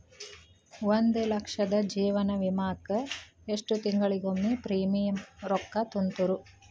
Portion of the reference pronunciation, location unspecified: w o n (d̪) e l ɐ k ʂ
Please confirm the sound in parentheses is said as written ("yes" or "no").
yes